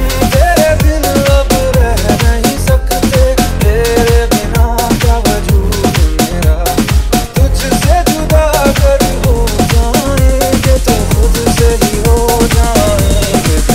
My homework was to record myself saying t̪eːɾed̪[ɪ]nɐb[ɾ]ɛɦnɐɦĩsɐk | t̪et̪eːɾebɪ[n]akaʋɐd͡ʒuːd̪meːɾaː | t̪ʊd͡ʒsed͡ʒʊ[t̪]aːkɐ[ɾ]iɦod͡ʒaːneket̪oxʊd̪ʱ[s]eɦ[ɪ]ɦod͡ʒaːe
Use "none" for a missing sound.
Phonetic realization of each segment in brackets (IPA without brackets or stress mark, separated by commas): ɪ, ɾ, n, d̪, ɾ, s, i